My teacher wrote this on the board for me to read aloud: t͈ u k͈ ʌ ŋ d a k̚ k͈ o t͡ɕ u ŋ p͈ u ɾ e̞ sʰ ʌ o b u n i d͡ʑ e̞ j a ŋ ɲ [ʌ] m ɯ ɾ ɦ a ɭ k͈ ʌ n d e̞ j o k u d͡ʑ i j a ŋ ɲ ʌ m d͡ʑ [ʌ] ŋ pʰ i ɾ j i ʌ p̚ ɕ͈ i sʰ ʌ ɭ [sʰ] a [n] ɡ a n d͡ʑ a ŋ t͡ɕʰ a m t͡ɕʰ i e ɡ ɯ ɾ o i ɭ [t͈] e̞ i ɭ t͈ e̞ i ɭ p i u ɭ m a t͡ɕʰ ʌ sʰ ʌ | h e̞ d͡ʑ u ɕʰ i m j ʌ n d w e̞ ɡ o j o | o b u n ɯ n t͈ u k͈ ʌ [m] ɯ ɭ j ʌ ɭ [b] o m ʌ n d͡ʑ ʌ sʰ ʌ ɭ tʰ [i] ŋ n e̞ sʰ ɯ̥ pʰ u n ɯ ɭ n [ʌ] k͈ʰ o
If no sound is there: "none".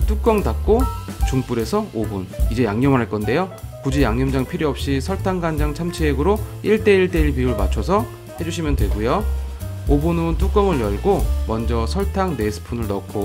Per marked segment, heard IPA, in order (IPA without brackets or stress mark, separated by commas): ʌ, a, tʰ, ŋ, t͈, m, ɡ, a, ʌ